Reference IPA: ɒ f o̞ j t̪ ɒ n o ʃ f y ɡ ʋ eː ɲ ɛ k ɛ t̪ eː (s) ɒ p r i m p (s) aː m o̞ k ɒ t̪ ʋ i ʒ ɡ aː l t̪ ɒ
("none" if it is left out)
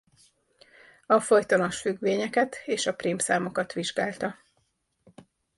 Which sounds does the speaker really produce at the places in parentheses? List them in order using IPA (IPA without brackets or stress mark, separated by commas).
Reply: ʃ, s